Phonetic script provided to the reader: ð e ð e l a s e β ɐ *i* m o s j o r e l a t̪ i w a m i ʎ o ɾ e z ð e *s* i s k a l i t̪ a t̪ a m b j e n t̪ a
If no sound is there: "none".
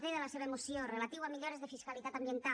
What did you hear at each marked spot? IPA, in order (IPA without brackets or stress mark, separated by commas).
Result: e, f